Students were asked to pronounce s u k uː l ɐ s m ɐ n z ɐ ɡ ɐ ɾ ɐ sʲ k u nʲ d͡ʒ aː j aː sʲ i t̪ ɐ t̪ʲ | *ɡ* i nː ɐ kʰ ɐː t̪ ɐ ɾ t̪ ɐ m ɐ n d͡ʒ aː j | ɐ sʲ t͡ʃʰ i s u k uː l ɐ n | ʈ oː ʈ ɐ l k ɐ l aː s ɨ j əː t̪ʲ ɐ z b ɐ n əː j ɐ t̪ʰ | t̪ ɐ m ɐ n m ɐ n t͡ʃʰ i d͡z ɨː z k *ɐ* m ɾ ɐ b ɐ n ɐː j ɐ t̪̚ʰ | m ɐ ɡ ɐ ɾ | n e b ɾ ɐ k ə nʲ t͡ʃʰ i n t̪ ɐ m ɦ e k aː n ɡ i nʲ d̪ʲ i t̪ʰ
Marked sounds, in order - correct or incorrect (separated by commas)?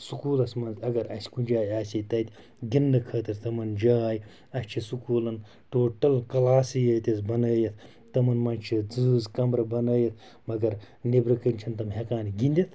correct, correct